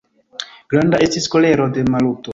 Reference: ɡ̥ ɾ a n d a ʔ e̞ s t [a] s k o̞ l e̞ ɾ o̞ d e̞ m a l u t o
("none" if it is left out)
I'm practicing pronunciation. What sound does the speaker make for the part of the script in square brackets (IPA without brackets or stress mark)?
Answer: i